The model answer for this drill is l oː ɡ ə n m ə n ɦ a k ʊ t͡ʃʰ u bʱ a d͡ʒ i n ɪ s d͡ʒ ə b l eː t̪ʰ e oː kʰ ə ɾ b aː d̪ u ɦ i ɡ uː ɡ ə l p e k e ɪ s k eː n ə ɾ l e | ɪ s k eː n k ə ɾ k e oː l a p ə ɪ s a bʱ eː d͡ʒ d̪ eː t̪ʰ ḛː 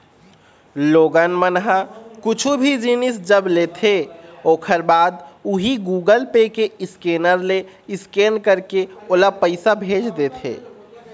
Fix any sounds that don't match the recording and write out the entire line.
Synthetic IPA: l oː ɡ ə n m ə n ɦ a k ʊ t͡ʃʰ u bʱ i d͡ʒ i n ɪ s d͡ʒ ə b l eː t̪ʰ e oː kʰ ə ɾ b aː d̪ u ɦ i ɡ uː ɡ ə l p e k e ɪ s k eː n ə ɾ l e | ɪ s k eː n k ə ɾ k e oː l a p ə ɪ s a bʱ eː d͡ʒ d̪ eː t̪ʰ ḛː